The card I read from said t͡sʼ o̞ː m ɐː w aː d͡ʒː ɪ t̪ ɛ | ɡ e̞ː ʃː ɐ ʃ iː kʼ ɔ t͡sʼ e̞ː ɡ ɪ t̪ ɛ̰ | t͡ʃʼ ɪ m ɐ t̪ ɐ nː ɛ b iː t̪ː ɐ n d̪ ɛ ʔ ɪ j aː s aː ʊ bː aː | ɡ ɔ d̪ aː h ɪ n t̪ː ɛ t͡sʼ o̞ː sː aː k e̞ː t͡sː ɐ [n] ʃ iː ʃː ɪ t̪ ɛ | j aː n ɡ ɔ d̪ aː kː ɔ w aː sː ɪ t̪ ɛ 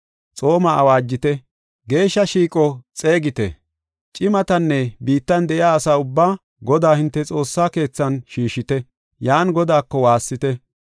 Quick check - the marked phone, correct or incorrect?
correct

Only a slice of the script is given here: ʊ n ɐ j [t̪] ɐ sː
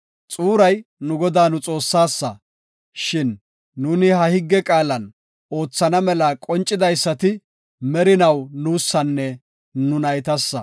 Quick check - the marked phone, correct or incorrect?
correct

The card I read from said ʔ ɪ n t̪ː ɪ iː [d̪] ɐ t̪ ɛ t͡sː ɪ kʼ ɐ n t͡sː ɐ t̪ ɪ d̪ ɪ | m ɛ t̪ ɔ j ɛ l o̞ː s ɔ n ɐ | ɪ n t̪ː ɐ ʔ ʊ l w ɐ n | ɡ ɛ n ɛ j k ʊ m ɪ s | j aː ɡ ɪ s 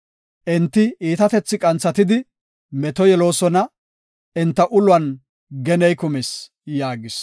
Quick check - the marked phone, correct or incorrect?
incorrect: t̪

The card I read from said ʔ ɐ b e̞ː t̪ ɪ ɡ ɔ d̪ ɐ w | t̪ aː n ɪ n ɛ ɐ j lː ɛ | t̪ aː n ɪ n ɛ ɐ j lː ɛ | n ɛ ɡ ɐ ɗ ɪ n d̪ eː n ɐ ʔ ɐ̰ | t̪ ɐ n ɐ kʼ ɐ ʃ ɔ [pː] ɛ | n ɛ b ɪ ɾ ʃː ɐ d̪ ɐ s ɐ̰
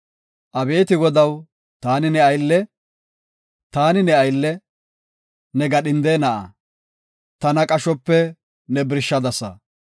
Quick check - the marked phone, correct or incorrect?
correct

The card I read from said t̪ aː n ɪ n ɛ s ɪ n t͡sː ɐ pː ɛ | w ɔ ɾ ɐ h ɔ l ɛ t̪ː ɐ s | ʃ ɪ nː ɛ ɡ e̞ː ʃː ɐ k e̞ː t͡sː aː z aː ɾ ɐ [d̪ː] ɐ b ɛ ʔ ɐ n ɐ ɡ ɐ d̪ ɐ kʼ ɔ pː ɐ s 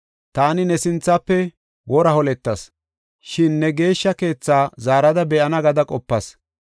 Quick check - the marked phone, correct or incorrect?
incorrect: d̪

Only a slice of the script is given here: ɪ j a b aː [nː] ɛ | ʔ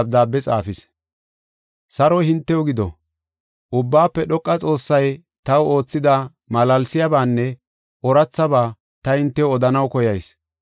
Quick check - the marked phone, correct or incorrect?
correct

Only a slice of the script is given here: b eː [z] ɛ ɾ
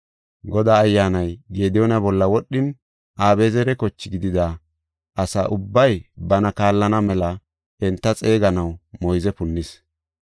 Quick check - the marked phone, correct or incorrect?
correct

